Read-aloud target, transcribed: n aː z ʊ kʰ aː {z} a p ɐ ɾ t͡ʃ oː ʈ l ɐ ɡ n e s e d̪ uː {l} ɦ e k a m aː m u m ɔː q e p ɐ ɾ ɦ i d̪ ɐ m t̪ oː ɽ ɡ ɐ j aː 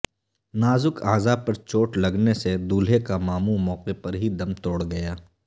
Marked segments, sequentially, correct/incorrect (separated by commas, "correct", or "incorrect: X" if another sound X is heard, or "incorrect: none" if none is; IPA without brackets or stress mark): correct, correct